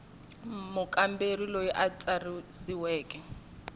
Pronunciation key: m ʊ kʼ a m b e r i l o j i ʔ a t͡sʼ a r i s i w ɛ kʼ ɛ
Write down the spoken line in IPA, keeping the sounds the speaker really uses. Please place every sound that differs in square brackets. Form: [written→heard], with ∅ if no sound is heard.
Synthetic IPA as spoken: m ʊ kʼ a m b e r i l o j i ʔ a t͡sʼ a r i s i w [ɛ→ɛː] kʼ ɛ